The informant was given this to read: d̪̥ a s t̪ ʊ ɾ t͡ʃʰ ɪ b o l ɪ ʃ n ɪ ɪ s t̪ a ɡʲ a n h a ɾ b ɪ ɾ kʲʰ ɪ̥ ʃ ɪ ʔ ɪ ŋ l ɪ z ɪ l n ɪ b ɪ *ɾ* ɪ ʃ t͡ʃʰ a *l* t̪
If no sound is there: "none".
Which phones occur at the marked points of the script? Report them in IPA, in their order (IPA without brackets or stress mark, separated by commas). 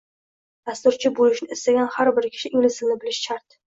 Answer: l, ɾ